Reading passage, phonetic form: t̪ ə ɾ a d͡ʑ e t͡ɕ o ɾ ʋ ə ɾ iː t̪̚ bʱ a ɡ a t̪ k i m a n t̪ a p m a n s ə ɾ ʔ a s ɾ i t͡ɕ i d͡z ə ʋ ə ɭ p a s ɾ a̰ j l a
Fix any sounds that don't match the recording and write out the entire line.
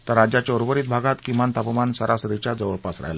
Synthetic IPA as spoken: t̪ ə ɾ a d͡ʑ a t͡ɕ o ɾ ʋ ə ɾ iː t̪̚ bʱ a ɡ a t̪ k i m a n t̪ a p m a n s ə ɾ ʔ a s ɾ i t͡ɕ a d͡z ə ʋ ə ɭ p a s ɾ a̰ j l a

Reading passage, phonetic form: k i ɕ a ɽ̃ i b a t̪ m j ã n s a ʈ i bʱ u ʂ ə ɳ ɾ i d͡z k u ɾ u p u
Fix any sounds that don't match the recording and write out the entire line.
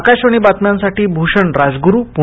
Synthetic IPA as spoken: k a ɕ a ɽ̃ i b a t̪ m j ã n s a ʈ iː bʱ u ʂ ə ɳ ɾ a d͡z ɡ u ɾ u p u

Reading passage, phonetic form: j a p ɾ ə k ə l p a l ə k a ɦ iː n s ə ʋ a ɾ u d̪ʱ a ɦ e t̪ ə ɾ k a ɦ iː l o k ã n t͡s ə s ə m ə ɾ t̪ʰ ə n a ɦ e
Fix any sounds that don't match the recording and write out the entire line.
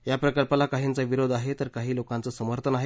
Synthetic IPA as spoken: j a p ɾ ə k ə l p a l a k a ɦ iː n t͡s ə ʋ i ɾ o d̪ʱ a ɦ e t̪ ə ɾ k a ɦ iː l o k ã n t͡s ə s ə m ə ɾ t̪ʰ ə n a ɦ e

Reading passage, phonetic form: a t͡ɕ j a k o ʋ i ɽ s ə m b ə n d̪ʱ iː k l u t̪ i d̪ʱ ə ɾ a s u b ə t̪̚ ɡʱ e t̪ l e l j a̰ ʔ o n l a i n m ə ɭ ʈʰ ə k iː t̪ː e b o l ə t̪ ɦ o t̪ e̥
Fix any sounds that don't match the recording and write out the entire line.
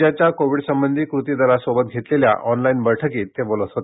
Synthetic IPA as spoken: a t͡ɕ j a k o ʋ i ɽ s ə m b ə n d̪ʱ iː k ɾ u t̪ i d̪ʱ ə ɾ a s o b ə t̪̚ ɡʱ e t̪ l e l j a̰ ʔ ɔ n l a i n b ə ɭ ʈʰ ə k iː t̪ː e b o l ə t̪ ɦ o t̪ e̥

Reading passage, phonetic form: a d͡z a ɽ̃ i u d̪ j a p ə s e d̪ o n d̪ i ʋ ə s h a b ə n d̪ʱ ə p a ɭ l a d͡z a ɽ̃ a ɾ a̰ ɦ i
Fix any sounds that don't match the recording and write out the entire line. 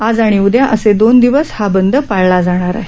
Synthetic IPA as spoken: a d͡z a ɽ̃ i u d̪ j a ʔ ə s e d̪ o n d̪ i ʋ ə s h a b ə n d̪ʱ ə p a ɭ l a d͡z a ɽ̃ a ɾ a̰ ɦ e

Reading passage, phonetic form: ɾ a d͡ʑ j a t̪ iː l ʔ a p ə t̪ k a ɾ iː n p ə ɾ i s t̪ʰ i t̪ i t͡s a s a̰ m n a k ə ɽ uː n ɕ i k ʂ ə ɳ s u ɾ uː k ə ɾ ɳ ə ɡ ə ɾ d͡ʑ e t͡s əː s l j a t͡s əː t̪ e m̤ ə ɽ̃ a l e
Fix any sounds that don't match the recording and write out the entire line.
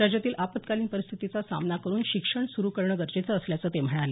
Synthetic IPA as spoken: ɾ a d͡ʑ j a t̪ iː l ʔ a p ə t̪ k a l iː n p ə ɾ i s t̪ʰ i t̪ i t͡s a s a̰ m n a k ə ɾ uː n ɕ i k ʂ ə ɳ s u ɾ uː k ə ɾ ɳ ə ɡ ə ɾ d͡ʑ e t͡s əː s l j a t͡s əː t̪ e m̤ ə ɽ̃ a l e

